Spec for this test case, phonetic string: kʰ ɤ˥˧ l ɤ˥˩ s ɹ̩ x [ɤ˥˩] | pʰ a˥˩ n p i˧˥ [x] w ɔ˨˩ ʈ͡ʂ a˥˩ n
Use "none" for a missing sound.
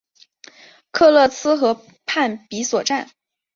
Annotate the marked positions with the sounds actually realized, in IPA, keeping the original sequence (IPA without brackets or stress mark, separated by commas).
ɤ˧˥, s